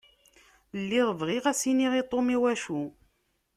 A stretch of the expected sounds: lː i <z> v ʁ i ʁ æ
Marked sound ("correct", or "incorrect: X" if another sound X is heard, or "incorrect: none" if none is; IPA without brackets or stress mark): incorrect: ʁ